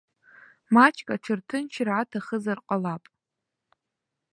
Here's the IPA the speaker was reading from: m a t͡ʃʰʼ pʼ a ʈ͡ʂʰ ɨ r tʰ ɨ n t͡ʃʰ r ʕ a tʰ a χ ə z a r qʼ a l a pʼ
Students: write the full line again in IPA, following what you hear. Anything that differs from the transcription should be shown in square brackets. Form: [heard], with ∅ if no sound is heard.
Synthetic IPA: m a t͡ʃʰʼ [kʼ] a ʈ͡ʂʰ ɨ r tʰ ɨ n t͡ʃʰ r ʕ a tʰ a χ ə z a r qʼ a l a pʼ